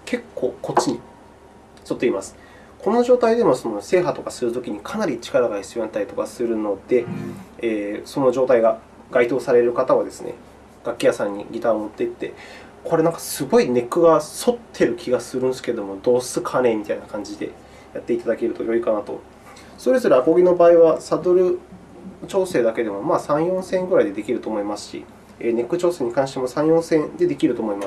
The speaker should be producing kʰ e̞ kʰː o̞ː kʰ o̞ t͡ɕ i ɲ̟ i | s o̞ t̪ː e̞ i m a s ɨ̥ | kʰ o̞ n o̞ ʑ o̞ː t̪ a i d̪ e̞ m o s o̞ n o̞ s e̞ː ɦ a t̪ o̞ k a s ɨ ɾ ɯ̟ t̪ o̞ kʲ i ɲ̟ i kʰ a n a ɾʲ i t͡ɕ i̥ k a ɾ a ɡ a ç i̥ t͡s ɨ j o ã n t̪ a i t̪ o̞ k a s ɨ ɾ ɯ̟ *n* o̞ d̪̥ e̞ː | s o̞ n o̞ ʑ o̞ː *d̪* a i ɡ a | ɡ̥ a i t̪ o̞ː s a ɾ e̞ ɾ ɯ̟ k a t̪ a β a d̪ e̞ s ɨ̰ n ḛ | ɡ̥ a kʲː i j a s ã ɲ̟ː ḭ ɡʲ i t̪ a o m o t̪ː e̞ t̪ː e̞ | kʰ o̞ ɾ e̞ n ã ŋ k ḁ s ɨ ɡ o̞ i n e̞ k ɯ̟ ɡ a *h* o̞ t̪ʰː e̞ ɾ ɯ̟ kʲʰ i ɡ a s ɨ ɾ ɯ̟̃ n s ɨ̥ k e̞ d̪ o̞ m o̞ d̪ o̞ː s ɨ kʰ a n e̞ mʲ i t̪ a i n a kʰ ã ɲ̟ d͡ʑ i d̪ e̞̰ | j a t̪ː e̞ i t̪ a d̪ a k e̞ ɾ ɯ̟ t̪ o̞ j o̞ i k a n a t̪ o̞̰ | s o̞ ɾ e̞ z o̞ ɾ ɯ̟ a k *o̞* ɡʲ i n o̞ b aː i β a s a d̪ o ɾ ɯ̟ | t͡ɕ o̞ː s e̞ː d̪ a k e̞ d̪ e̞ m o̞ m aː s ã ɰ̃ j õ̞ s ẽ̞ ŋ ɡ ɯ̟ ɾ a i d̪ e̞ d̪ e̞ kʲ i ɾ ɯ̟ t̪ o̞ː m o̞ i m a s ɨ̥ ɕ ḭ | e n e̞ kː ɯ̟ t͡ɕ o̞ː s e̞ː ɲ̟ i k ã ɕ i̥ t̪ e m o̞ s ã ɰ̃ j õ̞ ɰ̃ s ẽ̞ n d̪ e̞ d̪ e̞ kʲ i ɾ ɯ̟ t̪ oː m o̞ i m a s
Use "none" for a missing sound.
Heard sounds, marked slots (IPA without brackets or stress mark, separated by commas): n, t̪, s, o̞